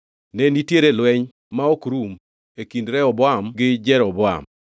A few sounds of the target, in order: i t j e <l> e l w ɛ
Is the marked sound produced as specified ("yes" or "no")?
no